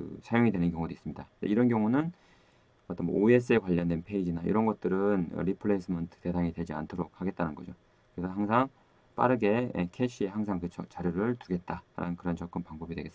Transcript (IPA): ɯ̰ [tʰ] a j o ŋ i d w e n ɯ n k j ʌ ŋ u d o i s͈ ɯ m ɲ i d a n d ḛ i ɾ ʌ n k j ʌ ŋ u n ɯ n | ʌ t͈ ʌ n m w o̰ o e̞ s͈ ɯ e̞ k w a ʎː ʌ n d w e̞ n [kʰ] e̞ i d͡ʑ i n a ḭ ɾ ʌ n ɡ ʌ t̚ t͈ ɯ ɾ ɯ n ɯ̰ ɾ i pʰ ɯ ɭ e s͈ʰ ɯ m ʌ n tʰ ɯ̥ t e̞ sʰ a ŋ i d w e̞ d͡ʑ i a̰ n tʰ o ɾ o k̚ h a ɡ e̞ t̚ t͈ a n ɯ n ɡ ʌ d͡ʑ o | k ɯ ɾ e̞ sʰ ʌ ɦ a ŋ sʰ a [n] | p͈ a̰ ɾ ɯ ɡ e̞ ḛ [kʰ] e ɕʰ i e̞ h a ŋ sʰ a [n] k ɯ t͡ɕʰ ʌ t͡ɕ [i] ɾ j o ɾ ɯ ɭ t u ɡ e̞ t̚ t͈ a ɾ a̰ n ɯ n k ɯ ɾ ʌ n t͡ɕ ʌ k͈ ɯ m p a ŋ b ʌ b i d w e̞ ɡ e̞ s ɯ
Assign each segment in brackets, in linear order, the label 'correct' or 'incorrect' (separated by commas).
incorrect, incorrect, incorrect, correct, incorrect, incorrect